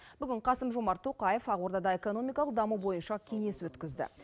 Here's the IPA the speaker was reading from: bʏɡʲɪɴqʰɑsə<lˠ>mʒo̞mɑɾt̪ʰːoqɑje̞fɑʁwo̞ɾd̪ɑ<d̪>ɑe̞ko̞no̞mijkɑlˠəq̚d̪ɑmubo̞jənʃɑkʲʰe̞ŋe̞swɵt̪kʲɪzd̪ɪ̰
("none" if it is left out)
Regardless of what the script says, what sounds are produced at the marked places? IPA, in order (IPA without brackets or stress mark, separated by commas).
none, d̪